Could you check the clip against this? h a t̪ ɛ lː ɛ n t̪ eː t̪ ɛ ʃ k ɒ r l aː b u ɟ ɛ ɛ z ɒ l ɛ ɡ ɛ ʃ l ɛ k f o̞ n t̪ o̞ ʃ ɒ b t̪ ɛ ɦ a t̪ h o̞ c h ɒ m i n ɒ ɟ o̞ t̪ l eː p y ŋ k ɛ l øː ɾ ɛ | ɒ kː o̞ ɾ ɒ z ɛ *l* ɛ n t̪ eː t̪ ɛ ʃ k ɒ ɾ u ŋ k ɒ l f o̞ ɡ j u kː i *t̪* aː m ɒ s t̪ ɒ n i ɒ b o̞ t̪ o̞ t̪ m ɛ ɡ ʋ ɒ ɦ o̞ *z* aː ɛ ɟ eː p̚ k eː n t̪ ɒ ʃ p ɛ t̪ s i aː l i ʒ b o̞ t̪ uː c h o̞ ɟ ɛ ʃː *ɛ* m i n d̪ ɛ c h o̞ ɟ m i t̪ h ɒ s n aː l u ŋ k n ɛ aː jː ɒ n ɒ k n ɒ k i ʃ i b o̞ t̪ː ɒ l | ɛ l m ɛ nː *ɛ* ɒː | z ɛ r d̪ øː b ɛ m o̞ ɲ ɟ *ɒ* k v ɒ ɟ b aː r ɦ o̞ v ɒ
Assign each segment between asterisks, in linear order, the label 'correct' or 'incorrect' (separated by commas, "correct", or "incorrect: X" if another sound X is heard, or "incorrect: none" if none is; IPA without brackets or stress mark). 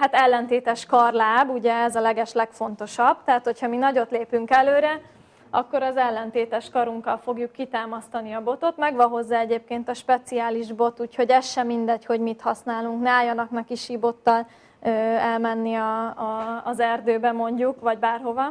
incorrect: lː, correct, incorrect: zː, correct, incorrect: i, incorrect: u